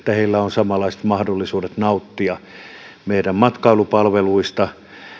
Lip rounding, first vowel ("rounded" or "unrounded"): unrounded